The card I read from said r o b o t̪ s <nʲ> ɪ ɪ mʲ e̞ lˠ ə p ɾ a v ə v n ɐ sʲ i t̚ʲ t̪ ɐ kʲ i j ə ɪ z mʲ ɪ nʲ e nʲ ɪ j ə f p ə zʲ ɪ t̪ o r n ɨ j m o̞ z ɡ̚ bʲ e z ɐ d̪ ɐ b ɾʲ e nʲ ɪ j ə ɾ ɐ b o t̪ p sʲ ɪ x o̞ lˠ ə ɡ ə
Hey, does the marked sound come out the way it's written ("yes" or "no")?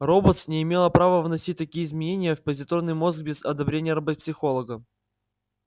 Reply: yes